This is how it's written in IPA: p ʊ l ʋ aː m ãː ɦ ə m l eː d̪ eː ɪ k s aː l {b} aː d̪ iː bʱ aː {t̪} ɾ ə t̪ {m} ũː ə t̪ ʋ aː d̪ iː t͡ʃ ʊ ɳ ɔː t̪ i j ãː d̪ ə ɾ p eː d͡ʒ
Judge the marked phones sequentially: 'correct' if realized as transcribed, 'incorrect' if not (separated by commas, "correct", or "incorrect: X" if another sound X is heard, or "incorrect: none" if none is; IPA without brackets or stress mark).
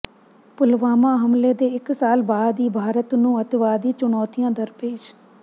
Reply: correct, incorrect: none, incorrect: n